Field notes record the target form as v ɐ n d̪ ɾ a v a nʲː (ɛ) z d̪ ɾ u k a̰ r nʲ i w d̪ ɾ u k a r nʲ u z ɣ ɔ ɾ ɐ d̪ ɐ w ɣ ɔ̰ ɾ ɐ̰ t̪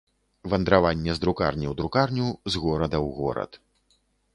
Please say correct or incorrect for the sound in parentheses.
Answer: correct